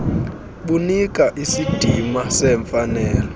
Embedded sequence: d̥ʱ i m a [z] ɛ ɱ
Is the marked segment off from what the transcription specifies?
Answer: yes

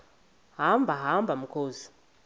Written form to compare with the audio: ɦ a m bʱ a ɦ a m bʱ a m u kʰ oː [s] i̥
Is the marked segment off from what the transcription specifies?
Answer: yes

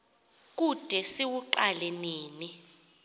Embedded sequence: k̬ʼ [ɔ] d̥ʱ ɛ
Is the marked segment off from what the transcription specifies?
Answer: yes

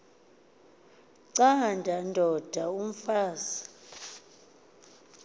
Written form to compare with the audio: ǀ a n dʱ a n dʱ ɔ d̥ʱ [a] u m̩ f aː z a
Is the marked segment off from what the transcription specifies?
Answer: no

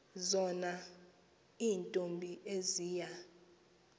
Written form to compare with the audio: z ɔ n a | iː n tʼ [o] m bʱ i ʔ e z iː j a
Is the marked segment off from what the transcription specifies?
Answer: no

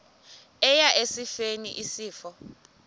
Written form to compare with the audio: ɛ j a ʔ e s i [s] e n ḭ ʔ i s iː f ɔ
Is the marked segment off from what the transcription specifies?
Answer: yes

